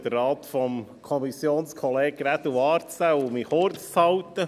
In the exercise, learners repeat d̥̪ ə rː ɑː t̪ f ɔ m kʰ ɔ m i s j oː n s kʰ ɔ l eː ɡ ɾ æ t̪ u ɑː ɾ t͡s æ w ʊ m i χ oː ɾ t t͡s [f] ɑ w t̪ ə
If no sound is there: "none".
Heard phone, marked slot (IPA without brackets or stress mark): h